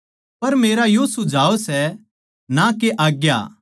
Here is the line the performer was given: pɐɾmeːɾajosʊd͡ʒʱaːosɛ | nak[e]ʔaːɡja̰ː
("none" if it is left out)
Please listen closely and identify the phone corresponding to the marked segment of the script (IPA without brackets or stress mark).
e